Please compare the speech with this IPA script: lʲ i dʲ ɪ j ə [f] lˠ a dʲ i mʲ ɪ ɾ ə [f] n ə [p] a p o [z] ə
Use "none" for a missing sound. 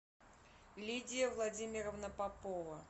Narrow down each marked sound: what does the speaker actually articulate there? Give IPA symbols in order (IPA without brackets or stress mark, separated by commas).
v, v, p, v